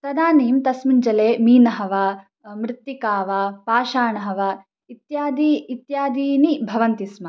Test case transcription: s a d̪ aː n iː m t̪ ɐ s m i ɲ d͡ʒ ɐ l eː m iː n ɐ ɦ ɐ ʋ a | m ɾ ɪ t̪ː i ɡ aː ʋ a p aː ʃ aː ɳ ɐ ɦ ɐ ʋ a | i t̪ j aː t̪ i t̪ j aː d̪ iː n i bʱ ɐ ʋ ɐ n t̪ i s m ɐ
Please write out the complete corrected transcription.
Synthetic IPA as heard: s ɐ d̪ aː n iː m t̪ ɐ s m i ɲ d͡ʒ ɐ l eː m iː n ɐ ɦ ɐ ʋ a | m ɾ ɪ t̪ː i k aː ʋ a p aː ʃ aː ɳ ɐ ɦ ɐ ʋ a | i t̪ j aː d̪ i t̪ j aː d̪ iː n i bʱ ɐ ʋ ɐ n t̪ i s m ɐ